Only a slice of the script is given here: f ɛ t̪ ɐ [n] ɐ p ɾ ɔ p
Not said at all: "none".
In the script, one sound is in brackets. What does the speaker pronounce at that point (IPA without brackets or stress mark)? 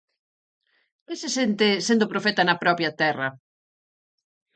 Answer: n